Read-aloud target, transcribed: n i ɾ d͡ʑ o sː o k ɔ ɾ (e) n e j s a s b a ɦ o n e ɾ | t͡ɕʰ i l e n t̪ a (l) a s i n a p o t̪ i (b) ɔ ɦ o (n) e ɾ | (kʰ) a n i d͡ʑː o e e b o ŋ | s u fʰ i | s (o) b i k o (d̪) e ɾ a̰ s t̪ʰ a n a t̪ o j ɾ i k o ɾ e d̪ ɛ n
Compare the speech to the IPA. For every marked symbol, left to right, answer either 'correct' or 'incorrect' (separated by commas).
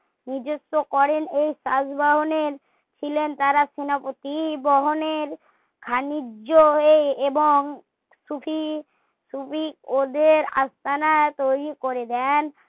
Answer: correct, incorrect, correct, correct, correct, incorrect, correct